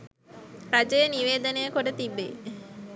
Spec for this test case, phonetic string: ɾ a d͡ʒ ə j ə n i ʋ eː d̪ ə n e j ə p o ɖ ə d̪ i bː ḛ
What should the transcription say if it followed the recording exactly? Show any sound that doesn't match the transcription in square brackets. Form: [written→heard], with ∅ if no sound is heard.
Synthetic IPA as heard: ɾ a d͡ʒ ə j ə n i ʋ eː d̪ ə n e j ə [p→k] o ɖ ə [d̪→t̪] i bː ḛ